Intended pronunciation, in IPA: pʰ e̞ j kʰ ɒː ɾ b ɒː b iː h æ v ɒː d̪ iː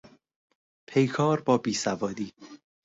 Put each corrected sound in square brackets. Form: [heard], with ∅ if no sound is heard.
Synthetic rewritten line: pʰ e̞ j kʰ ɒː ɾ b ɒː b iː [s] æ v ɒː d̪ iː